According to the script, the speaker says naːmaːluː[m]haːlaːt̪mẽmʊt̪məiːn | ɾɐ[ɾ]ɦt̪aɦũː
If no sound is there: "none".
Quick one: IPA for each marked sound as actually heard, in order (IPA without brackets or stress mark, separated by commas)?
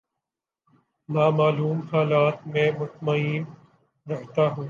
m, none